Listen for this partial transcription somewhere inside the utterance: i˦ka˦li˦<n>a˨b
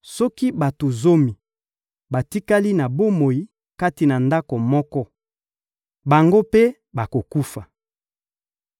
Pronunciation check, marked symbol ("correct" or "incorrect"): correct